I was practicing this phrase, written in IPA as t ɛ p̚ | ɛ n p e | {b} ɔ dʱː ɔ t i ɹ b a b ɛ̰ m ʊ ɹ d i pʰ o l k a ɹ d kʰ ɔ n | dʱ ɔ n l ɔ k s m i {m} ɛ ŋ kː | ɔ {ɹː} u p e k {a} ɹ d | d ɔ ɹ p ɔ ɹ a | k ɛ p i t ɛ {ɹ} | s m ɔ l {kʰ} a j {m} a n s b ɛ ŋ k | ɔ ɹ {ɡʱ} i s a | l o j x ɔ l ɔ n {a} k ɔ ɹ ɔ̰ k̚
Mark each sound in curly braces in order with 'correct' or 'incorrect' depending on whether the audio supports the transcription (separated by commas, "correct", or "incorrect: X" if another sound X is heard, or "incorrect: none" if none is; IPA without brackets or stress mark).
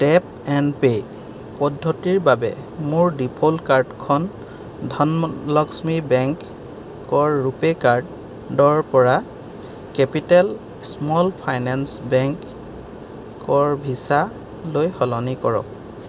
incorrect: p, incorrect: b, correct, correct, incorrect: l, incorrect: pʰ, incorrect: n, incorrect: bʱ, incorrect: i